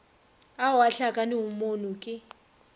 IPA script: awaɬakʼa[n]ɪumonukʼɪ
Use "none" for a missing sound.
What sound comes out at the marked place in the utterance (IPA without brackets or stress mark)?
n